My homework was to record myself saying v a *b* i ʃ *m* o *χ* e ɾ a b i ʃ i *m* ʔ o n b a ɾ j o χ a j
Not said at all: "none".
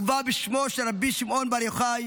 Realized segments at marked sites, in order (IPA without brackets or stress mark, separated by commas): b, m, ʃ, m